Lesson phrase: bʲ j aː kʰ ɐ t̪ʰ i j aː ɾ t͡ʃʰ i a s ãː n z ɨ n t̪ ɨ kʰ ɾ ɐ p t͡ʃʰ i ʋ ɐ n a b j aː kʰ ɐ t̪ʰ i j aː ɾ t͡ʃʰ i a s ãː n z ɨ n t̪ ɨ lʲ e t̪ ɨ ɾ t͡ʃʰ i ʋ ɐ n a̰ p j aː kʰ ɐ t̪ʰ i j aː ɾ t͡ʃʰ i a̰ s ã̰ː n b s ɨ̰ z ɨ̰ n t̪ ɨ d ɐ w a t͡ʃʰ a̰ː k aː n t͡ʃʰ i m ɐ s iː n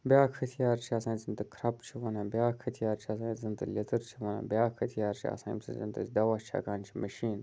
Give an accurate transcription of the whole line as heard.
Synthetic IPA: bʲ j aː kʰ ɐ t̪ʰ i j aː ɾ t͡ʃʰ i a s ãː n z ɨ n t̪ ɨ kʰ ɾ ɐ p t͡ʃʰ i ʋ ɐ n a b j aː kʰ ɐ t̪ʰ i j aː ɾ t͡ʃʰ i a s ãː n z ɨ n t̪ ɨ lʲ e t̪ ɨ ɾ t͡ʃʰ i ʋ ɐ n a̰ b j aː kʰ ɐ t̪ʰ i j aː ɾ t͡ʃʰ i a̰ s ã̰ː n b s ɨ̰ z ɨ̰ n t̪ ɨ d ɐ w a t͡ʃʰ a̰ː k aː n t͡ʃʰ i m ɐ ʃ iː n